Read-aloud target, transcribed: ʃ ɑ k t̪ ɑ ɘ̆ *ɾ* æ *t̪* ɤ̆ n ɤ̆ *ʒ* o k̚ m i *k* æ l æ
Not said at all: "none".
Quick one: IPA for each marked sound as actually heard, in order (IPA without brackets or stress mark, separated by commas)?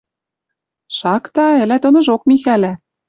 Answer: l, t̪, ʒ, x